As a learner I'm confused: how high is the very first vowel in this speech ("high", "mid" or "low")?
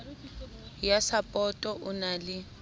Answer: low